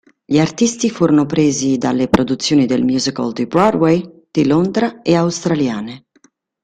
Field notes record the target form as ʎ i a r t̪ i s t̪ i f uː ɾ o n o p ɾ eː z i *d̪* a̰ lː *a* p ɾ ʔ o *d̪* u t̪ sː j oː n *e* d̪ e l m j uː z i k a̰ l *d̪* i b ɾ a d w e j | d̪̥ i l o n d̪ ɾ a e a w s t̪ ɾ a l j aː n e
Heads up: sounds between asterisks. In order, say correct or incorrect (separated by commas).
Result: correct, incorrect, correct, incorrect, correct